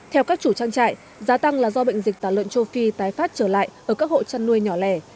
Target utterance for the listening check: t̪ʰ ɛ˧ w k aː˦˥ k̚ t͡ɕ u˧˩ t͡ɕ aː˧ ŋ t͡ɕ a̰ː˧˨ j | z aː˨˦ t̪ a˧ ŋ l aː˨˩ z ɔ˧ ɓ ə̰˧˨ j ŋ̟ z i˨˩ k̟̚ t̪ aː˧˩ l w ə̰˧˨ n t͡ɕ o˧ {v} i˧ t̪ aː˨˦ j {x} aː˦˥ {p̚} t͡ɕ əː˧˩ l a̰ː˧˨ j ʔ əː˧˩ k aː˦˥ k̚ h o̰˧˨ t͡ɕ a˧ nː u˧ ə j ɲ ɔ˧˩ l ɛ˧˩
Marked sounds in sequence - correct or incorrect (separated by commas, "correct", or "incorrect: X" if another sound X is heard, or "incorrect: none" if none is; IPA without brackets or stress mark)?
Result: incorrect: f, incorrect: f, incorrect: t̚